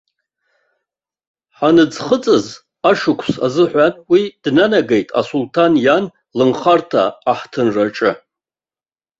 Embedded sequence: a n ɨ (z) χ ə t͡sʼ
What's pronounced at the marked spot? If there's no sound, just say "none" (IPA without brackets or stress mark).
d͡z